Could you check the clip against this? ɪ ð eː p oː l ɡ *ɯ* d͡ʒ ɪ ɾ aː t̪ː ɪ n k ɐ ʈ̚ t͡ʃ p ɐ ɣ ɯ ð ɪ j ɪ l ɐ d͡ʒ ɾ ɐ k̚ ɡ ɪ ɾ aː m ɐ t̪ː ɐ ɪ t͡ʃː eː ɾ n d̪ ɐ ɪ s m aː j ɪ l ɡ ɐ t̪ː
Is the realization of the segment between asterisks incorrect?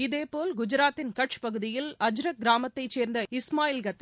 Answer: yes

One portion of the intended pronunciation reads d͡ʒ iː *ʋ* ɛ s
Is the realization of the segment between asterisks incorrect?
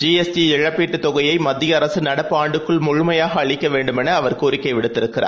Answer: yes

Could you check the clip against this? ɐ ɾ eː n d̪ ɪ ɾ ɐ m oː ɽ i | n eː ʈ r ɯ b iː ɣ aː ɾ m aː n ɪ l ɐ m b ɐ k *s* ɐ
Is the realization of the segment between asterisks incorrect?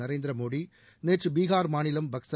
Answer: no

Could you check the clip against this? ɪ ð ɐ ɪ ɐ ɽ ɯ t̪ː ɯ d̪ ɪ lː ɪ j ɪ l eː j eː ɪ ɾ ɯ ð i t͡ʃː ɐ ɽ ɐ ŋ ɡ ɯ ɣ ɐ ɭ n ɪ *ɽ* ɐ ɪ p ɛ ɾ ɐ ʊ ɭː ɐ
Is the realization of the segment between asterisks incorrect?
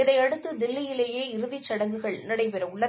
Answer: no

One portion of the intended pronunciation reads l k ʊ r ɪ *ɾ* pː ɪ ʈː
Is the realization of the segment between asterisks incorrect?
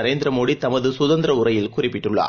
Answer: yes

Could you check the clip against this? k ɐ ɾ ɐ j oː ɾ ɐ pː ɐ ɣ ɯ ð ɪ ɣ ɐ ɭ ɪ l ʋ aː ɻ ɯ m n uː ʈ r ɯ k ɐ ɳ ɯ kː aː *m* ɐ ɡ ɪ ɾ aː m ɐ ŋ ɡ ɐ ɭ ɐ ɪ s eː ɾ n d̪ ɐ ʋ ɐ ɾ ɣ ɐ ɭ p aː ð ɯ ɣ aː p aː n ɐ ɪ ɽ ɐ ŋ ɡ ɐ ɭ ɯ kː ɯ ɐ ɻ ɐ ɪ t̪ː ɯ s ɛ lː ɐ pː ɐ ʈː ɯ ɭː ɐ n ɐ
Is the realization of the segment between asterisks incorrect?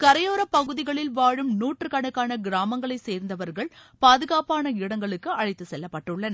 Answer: yes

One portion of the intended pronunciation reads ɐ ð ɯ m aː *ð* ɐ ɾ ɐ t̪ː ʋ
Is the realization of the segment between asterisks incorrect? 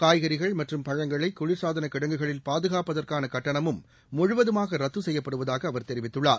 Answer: yes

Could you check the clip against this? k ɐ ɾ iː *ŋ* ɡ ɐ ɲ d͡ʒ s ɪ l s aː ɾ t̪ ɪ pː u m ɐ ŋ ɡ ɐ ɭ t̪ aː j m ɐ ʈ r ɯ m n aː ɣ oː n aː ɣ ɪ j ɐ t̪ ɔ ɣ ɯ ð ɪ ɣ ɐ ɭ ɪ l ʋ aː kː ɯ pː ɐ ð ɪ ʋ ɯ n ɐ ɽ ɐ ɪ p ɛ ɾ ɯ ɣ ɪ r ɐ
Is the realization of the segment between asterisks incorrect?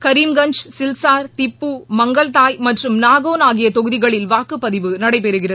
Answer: yes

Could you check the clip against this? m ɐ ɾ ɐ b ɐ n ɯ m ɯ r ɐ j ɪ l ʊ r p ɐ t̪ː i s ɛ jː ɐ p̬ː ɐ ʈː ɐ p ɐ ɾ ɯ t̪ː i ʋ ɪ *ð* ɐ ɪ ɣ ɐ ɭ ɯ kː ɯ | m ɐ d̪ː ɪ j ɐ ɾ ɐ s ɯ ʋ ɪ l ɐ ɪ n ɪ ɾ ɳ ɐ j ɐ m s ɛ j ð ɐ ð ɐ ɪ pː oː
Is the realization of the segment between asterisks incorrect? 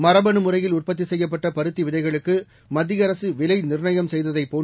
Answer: no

